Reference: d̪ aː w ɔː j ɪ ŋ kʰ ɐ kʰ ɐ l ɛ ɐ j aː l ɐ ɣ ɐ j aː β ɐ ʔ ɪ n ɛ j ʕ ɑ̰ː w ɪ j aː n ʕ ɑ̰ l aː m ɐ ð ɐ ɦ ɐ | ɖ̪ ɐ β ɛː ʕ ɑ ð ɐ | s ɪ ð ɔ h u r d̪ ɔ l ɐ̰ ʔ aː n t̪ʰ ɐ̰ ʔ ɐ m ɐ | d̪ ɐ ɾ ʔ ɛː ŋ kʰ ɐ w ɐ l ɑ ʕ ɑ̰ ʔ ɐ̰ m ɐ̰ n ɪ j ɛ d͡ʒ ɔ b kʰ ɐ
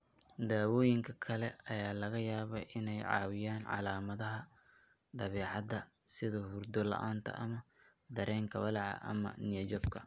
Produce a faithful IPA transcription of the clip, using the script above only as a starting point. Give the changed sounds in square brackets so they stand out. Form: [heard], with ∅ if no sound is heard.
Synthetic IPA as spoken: d̪ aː w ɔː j ɪ ŋ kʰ ɐ kʰ ɐ l ɛ ɐ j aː l ɐ ɣ ɐ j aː β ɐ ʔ ɪ n ɛ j ʕ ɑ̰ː w ɪ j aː n ʕ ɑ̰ l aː m ɐ ð ɐ ɦ ɐ | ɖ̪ ɐ β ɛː ʕ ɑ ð ɐ | s ɪ ð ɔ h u r d̪ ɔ l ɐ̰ ʔ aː n t̪ʰ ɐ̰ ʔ ɐ m ɐ | d̪ ɐ ɾ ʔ ɛː ŋ kʰ ɐ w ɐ l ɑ ʕ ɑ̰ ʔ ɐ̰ m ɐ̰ n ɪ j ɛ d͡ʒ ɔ b kʰ ɐ